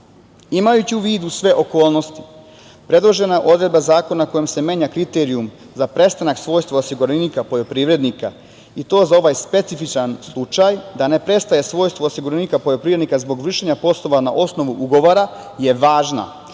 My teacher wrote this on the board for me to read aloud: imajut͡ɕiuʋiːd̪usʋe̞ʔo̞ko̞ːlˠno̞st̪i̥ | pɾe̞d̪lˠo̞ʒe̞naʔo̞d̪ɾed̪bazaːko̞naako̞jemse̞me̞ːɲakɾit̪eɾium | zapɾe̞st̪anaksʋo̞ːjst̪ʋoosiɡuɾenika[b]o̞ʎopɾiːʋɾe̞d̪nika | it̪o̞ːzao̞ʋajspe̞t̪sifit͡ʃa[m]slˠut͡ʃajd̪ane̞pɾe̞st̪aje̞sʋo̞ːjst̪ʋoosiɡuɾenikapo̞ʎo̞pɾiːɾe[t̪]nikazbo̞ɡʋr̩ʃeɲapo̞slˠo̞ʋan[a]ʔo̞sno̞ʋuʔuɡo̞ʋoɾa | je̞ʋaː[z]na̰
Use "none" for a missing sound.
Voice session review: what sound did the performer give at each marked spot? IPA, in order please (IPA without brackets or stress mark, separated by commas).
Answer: p, n, d̪, a, ʒ